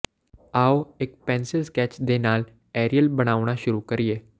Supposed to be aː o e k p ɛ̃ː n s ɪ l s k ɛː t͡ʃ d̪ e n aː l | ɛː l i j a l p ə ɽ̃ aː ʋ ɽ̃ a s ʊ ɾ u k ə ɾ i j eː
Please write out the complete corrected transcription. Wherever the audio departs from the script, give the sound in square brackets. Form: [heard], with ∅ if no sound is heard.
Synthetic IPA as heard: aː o e k p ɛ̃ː n s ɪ l s k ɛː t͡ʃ d̪ e n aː l | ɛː [ɾ] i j [ə] l [b] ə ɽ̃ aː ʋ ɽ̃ a [ʃ] ʊ ɾ u k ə ɾ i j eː